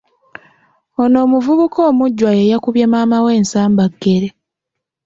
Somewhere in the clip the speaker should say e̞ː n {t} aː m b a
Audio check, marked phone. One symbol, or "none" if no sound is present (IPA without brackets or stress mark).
s